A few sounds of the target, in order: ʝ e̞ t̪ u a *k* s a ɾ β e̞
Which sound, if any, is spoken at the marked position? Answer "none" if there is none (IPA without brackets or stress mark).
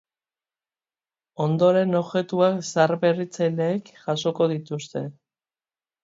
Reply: k